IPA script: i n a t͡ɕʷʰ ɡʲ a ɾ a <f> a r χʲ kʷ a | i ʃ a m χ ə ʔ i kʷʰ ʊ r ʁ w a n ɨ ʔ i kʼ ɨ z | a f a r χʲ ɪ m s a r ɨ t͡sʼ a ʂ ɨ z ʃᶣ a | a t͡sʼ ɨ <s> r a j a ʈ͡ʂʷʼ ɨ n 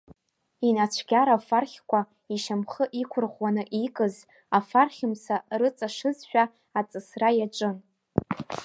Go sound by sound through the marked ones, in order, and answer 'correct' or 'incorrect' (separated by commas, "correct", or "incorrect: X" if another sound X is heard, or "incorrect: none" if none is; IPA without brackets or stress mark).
correct, correct